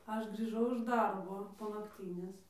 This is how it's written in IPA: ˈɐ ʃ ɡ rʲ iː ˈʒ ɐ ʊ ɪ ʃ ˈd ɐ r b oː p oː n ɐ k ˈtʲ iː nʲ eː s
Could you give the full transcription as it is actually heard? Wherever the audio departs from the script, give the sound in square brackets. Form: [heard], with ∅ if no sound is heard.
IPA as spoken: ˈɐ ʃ ɡ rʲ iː ˈʒ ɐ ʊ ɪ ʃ ˈd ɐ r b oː p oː n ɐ k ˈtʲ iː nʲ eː s